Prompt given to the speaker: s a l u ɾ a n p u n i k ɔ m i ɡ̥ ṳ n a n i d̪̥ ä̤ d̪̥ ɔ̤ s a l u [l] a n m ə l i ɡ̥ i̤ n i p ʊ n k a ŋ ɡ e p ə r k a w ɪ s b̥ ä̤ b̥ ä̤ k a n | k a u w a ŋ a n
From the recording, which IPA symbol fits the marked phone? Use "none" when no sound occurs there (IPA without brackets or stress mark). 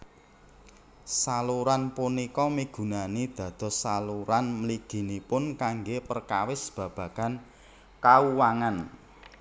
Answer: ɾ